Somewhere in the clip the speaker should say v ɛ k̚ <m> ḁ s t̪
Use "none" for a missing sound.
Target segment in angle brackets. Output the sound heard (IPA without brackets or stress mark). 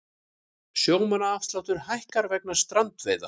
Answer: n